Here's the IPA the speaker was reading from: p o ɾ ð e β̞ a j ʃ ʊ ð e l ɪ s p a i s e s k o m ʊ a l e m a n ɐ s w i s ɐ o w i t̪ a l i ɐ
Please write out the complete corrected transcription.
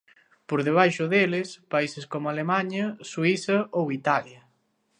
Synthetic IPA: p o ɾ ð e β̞ a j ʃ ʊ ð e l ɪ s p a i s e s k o m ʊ a l e m a ɲ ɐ s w i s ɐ o w i t̪ a l j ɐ